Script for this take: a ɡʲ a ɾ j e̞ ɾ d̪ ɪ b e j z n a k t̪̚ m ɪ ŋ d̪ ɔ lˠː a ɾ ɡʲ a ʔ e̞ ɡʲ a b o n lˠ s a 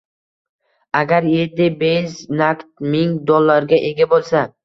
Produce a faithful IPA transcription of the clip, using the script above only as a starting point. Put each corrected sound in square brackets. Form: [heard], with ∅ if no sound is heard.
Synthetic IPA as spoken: a ɡʲ a ɾ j e̞ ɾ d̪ ɪ b e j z n a k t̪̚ m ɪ ŋ d̪ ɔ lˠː a ɾ ɡʲ a ʔ e̞ ɡʲ a b o [∅] lˠ s a